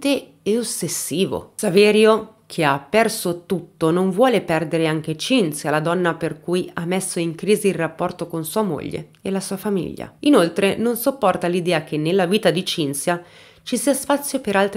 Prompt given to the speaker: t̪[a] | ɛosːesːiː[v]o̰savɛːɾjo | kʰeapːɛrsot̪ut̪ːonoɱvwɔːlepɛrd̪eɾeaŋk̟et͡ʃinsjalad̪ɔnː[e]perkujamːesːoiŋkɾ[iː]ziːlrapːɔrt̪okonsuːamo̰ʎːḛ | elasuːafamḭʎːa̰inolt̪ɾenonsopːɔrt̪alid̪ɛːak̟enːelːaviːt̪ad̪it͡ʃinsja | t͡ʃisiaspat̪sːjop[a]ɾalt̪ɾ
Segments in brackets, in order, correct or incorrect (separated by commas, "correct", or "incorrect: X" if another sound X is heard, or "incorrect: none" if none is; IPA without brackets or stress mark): incorrect: e, correct, incorrect: a, correct, incorrect: e